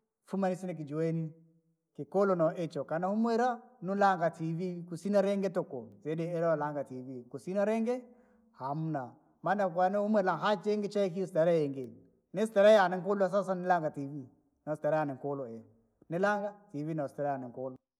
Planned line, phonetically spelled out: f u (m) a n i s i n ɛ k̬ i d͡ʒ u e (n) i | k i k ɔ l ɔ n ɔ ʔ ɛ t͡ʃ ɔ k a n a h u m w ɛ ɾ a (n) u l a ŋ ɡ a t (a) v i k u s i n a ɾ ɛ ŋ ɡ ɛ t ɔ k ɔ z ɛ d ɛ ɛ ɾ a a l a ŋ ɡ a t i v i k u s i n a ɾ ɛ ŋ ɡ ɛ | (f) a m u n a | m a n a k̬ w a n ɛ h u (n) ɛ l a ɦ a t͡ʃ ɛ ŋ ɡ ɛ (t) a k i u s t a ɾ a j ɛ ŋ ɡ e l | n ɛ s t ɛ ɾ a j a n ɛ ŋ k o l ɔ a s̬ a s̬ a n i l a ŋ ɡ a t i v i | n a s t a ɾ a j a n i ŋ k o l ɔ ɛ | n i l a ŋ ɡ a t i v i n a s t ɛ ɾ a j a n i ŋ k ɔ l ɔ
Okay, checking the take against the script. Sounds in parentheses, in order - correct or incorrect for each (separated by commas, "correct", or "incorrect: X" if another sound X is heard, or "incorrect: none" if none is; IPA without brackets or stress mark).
correct, correct, correct, incorrect: i, incorrect: h, incorrect: m, incorrect: t͡ʃ